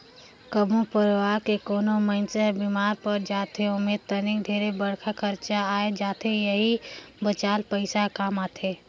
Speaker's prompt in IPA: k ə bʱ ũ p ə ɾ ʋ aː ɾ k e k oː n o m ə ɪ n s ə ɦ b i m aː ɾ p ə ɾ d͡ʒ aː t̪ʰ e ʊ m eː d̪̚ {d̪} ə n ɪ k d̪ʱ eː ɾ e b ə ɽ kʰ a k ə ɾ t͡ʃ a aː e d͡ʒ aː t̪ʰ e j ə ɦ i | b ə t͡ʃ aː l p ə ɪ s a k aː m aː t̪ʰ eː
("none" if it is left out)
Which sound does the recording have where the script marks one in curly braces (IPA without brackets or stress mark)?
t̪